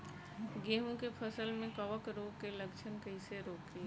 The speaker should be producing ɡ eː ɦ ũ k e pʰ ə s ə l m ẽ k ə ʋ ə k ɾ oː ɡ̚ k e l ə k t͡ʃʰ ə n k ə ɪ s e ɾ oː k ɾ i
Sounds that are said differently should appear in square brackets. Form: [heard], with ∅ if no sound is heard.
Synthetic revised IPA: ɡ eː ɦ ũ k e pʰ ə s ə l m ẽ k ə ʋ ə k ɾ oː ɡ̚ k e l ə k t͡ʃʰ ə n k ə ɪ s e ɾ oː k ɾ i